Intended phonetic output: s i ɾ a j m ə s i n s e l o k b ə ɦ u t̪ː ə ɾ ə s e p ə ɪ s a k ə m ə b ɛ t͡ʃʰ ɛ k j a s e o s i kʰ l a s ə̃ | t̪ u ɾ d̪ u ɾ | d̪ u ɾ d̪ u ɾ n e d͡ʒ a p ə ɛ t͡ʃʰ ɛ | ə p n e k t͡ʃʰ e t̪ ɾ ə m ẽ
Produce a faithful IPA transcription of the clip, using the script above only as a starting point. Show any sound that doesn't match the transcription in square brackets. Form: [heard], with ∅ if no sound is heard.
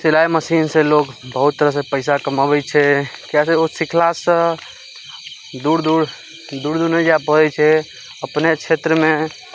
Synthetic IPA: s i [l] a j m ə s i n s e l o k b ə ɦ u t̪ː ə ɾ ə s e p ə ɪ s a k ə m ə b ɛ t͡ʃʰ ɛ k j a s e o s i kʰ l a s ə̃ | [d̪] u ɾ d̪ u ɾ | d̪ u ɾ d̪ u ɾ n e d͡ʒ a p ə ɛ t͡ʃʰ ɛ | ə p n e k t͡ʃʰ e t̪ ɾ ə m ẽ